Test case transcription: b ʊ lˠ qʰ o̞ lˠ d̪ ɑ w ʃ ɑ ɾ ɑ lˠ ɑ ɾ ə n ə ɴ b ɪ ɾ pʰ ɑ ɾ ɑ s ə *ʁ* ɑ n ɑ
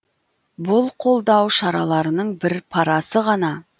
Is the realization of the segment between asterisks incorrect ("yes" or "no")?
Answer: no